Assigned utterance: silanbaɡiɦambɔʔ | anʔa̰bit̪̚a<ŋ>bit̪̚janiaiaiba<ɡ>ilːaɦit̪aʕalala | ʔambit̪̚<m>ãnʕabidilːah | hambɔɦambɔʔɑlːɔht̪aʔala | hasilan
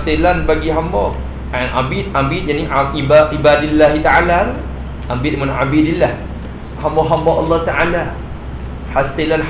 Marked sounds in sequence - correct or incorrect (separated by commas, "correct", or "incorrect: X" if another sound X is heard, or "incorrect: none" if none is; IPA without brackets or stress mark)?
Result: incorrect: m, incorrect: d, correct